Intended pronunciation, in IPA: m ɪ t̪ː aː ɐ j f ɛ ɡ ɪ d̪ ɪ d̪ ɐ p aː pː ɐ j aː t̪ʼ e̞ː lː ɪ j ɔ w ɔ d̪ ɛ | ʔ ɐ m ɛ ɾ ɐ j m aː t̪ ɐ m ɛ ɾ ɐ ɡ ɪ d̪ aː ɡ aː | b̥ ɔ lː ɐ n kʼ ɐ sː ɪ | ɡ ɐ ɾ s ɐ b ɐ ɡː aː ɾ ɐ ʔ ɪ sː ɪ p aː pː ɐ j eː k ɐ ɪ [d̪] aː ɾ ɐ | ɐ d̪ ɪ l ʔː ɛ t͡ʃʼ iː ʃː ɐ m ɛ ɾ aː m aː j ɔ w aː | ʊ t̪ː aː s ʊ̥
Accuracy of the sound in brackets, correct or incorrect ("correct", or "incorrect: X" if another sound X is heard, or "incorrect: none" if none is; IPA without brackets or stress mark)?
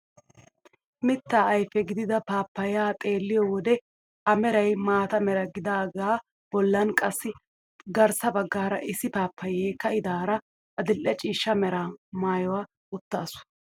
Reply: correct